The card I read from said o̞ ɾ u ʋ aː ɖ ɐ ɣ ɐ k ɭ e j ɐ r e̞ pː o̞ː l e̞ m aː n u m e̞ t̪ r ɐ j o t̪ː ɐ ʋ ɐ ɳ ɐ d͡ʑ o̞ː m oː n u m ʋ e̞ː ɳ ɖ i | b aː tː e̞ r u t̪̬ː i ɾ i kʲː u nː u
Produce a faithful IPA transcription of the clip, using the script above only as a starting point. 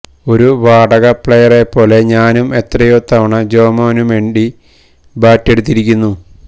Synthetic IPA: o̞ ɾ u ʋ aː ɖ ɐ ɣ ɐ p ɭ e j ɐ r e̞ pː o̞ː l e̞ ɲ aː n u m e̞ t̪ r ɐ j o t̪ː ɐ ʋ ɐ ɳ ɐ d͡ʑ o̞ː m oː n u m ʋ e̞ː ɳ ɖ i | b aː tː e̞ ɽ u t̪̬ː i ɾ i kʲː u nː u